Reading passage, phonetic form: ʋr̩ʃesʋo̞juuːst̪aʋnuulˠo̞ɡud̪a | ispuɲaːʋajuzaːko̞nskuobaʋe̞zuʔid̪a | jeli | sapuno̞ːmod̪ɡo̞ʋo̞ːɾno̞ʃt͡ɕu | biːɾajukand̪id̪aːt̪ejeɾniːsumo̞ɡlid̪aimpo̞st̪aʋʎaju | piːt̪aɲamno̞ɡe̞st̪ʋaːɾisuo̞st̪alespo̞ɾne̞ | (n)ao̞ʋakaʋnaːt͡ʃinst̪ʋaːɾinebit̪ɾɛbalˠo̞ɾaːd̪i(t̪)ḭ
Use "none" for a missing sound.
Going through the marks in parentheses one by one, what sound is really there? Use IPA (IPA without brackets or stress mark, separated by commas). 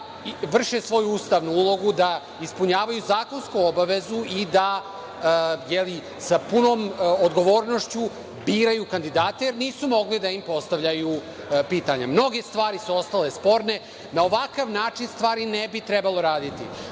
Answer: n, t̪